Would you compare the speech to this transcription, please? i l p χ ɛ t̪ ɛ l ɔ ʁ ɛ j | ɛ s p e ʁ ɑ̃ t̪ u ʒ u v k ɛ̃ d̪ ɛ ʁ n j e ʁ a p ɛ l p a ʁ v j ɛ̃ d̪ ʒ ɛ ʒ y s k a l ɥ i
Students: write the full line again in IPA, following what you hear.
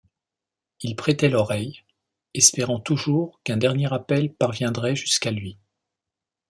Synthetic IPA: i l p χ ɛ t̪ ɛ l ɔ ʁ ɛ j | ɛ s p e ʁ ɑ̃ t̪ u ʒ u ʁ k ɛ̃ d̪ ɛ ʁ n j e ʁ a p ɛ l p a ʁ v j ɛ̃ d̪ ʁ ɛ ʒ y s k a l ɥ i